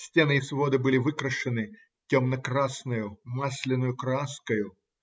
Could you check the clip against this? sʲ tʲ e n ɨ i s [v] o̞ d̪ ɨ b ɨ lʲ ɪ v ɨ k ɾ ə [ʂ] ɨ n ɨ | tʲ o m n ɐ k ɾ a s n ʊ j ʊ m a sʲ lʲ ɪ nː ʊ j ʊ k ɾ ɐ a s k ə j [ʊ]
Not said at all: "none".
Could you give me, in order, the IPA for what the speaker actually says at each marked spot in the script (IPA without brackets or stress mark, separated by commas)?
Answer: v, ʂ, ʊ